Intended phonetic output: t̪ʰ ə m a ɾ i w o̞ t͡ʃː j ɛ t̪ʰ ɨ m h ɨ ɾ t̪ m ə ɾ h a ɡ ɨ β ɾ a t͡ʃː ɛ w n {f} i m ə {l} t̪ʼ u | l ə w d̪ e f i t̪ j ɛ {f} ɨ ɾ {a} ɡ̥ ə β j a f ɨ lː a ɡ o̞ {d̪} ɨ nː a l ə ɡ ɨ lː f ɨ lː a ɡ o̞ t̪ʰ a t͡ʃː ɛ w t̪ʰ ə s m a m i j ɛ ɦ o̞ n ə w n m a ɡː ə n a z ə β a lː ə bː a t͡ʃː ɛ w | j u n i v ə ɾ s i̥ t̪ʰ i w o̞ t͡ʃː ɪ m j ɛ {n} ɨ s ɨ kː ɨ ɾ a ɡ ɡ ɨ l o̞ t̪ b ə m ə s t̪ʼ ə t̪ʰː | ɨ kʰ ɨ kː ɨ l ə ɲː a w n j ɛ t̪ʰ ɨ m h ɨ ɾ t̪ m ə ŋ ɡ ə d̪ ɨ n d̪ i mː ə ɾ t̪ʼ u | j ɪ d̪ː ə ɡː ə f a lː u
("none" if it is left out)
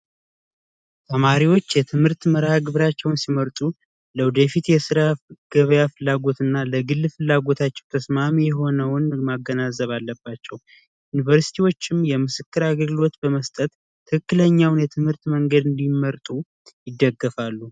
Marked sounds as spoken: s, ɾ, s, a, t̪, m

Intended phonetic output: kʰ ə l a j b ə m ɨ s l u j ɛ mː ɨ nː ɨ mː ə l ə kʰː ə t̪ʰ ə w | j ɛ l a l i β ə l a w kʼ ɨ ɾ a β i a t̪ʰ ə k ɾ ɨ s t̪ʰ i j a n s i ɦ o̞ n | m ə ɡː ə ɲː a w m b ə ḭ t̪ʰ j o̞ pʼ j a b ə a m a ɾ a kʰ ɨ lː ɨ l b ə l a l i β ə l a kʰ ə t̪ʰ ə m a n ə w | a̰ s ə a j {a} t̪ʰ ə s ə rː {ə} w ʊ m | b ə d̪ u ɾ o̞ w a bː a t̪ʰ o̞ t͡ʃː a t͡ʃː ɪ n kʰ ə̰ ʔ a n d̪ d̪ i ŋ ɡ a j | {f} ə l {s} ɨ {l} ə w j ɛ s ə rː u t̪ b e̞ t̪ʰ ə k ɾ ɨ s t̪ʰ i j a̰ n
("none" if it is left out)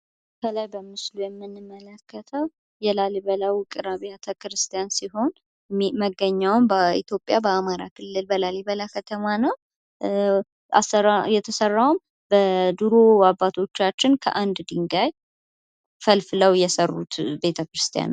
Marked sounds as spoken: ɛ, a, f, f, l

